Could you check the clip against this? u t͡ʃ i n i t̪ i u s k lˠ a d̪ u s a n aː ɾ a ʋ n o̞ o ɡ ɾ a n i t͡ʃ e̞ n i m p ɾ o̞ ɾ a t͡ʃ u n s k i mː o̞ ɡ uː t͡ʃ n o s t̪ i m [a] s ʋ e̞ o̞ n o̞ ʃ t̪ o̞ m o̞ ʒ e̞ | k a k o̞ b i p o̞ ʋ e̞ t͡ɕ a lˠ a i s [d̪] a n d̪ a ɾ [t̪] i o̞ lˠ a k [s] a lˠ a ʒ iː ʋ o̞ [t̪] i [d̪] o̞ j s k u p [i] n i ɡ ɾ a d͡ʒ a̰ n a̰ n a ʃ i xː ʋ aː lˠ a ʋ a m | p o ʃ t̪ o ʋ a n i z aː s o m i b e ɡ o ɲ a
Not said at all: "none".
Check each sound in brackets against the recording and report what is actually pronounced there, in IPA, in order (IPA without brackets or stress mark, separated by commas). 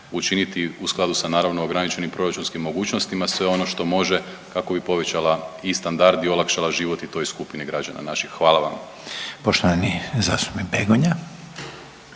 a, t̪, d̪, ʃ, t̪, t̪, i